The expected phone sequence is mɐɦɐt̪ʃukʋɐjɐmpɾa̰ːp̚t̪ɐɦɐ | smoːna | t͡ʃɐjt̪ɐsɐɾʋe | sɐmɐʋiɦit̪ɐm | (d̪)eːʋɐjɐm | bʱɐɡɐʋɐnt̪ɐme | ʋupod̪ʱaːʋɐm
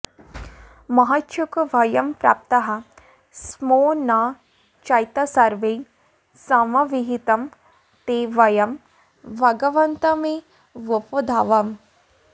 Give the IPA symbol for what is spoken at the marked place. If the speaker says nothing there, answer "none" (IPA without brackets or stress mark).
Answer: t̪